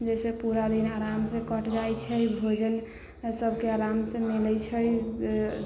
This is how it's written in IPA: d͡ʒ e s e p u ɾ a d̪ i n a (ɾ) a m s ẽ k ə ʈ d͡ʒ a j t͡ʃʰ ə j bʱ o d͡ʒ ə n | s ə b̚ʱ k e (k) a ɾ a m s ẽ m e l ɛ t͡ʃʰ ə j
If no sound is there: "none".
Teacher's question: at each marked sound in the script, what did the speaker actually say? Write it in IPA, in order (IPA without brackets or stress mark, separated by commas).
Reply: ɾ, none